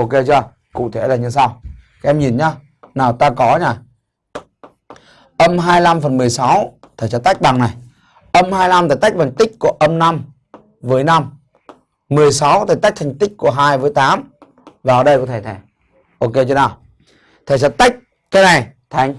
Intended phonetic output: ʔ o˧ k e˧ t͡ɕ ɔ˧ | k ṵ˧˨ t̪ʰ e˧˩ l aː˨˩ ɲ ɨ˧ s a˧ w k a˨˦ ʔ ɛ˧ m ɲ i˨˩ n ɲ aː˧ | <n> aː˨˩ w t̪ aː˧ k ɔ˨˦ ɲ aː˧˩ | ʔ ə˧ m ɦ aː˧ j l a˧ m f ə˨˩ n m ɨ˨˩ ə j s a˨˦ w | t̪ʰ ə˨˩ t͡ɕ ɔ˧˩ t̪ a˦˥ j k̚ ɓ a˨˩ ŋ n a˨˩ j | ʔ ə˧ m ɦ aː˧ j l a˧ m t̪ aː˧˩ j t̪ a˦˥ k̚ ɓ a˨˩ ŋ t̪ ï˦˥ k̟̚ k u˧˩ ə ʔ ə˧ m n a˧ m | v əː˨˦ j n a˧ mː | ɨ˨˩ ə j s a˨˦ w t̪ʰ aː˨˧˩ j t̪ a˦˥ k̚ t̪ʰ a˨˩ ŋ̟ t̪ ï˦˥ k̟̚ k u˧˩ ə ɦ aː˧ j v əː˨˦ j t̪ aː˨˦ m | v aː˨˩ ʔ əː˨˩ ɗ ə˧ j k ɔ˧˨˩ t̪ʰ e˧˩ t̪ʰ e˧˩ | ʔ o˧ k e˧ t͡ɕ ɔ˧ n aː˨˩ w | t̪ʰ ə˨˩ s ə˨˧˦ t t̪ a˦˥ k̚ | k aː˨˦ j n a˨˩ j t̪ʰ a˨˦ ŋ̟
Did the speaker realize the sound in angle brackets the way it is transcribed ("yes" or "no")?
yes